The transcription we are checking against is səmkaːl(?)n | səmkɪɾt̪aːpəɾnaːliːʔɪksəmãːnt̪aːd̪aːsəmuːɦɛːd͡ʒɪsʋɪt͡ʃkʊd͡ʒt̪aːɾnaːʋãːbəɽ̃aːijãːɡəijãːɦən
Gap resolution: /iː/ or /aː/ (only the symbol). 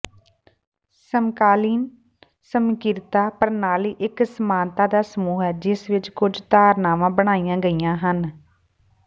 iː